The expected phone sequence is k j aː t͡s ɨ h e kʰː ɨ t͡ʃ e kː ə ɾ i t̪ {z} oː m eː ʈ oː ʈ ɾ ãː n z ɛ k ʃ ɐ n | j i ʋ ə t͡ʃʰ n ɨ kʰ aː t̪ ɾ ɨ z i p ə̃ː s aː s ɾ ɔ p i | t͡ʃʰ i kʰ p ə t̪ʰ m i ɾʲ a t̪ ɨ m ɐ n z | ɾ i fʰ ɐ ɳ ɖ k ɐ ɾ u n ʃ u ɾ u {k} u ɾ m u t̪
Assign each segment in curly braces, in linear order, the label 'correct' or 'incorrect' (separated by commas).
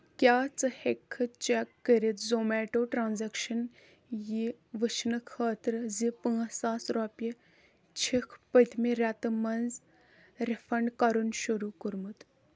correct, correct